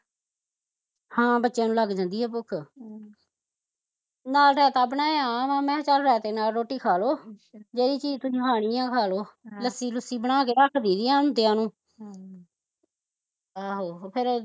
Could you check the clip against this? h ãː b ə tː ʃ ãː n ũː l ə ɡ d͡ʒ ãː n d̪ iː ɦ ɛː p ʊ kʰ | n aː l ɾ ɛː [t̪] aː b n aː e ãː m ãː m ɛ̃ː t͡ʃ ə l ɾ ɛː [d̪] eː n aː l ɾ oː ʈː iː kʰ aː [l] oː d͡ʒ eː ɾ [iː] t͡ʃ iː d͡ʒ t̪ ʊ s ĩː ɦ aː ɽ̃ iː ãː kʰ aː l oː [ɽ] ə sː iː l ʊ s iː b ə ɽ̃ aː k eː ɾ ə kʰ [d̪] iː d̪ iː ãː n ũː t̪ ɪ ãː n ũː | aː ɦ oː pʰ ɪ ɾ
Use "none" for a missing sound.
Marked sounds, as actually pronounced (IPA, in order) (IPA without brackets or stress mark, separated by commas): t̪, t̪, l, iː, l, d̪